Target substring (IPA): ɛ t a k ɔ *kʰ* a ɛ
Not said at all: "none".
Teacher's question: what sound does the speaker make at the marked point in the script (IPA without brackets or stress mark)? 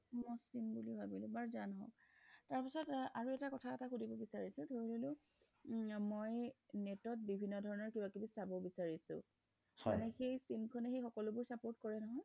tʰ